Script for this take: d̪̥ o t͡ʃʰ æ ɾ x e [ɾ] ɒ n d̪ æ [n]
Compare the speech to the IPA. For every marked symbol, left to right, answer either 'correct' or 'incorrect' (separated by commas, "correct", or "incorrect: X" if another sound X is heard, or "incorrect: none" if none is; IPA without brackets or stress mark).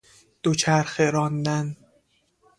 correct, correct